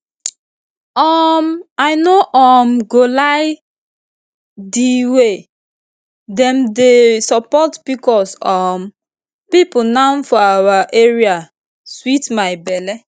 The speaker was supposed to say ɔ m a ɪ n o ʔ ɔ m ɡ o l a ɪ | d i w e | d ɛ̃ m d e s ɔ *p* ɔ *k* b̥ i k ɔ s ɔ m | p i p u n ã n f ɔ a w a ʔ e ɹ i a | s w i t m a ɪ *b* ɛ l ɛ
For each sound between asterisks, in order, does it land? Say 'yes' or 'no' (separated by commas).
yes, no, yes